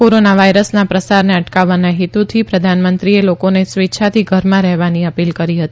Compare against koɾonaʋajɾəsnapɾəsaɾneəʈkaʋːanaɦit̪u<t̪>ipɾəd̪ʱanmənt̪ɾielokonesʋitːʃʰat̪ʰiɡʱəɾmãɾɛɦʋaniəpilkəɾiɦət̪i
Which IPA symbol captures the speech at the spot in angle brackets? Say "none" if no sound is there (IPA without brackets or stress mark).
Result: t̪ʰ